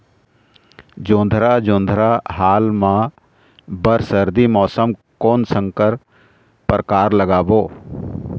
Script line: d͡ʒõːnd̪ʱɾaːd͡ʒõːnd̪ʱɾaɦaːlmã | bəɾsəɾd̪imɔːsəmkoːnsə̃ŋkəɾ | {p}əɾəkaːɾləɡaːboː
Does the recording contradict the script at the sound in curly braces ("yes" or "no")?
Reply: no